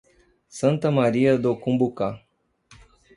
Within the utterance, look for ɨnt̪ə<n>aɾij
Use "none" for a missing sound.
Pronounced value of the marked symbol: m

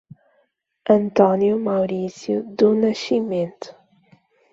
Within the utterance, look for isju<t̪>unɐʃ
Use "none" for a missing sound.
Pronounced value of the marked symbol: d̪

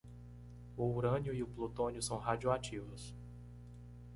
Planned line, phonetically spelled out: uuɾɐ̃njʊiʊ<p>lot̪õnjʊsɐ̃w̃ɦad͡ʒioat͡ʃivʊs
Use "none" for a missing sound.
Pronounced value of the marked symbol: p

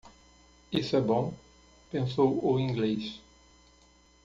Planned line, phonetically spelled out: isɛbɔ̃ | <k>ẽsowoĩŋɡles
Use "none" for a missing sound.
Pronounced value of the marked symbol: p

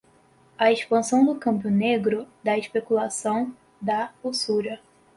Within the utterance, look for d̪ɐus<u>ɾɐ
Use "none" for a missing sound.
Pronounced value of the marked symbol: u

